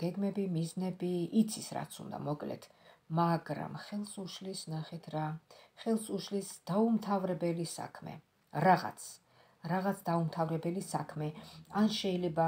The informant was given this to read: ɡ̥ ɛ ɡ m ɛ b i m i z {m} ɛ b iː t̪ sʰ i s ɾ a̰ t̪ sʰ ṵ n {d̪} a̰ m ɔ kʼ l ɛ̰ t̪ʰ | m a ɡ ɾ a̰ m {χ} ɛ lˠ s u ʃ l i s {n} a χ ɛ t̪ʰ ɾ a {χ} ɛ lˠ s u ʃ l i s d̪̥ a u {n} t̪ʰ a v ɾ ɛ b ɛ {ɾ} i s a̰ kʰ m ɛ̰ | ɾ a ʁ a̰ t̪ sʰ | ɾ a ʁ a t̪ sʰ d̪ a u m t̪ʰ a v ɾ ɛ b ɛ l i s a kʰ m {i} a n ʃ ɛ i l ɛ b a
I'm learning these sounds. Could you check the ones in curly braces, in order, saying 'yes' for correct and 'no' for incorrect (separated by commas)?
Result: no, yes, yes, yes, yes, no, no, no